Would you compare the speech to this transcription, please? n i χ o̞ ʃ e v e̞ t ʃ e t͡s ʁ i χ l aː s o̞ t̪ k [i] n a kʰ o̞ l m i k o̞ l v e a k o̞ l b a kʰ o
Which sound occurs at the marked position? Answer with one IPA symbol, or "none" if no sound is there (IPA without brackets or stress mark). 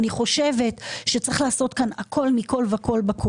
a